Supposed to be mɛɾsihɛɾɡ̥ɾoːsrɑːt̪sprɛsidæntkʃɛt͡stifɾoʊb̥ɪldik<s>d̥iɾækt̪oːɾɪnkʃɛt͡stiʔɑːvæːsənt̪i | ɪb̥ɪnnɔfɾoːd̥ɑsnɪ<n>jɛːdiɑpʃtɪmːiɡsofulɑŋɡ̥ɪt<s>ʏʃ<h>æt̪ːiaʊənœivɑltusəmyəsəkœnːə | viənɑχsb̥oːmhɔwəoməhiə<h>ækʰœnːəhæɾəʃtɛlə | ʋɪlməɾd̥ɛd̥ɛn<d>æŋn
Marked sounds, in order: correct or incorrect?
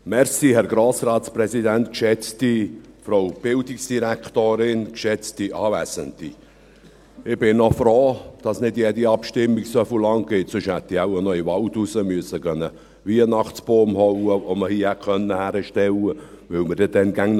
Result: correct, incorrect: d, correct, correct, correct, incorrect: ɡ

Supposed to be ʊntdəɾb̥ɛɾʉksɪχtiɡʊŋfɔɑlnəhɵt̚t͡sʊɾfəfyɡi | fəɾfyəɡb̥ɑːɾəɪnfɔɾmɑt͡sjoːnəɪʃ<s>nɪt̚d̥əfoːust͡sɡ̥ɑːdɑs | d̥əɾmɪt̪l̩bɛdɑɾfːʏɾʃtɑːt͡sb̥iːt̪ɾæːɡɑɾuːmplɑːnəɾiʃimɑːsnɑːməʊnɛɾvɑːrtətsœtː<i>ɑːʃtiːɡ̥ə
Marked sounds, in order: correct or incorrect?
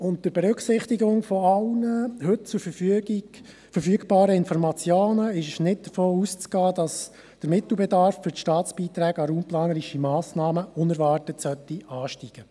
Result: incorrect: ʃ, correct

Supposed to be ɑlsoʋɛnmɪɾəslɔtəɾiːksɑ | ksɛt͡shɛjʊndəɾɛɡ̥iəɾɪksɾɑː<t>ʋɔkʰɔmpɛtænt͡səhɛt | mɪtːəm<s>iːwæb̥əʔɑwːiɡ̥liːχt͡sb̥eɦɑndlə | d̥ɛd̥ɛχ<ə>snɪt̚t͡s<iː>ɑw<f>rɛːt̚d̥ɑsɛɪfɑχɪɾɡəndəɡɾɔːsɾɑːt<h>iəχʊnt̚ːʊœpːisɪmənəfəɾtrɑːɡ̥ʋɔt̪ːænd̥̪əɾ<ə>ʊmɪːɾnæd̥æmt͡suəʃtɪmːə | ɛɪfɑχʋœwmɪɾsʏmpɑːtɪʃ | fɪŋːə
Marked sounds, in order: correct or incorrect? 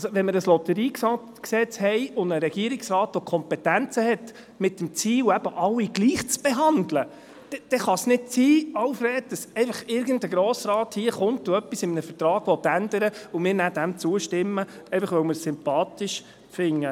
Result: correct, incorrect: t͡s, incorrect: ɑ, correct, correct, correct, correct

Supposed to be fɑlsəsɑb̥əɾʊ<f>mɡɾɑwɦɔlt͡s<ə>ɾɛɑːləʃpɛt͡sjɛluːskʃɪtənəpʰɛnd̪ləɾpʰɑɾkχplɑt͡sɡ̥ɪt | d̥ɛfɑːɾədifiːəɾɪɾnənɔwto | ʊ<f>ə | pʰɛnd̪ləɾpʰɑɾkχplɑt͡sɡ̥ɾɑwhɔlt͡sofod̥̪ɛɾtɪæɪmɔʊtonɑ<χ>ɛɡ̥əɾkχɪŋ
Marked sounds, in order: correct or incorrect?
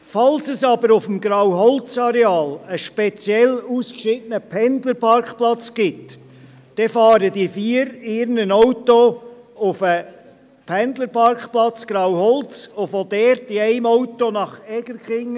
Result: correct, incorrect: ɑ, correct, correct

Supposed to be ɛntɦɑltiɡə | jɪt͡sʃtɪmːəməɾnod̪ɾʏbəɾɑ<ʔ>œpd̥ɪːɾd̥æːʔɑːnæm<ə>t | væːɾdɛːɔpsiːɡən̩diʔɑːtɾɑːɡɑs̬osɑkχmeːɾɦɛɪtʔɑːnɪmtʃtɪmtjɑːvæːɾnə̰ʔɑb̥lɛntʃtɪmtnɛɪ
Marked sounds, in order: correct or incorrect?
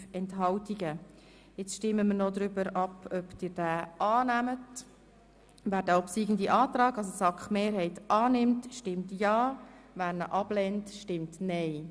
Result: incorrect: p, correct

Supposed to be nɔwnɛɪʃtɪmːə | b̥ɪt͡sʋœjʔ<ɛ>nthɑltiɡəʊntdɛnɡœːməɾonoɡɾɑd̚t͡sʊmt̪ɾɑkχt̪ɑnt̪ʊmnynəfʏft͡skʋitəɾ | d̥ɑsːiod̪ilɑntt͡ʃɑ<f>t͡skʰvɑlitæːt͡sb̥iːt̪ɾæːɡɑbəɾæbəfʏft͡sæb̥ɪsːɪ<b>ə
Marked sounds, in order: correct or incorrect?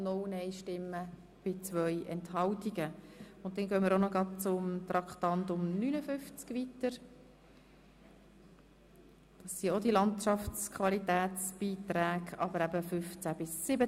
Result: correct, correct, correct

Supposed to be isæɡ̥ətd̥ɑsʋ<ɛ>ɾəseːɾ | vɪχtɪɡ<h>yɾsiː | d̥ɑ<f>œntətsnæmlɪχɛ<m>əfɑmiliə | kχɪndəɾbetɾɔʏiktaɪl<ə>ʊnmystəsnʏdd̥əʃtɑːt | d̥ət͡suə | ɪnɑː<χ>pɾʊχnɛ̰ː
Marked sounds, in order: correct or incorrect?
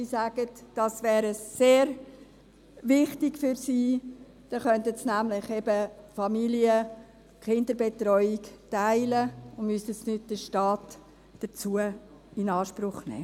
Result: incorrect: ɛː, incorrect: f, incorrect: χ, incorrect: b, correct, incorrect: ʃ

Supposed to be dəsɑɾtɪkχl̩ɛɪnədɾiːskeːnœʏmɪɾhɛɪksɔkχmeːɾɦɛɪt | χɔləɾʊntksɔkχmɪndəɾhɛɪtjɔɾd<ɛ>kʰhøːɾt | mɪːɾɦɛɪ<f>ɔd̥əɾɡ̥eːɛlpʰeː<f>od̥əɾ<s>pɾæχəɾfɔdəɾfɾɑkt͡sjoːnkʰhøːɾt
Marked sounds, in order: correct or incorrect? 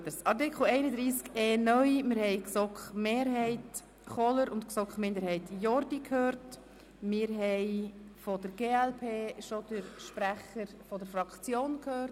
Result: incorrect: i, correct, incorrect: ʃ, incorrect: ʃ

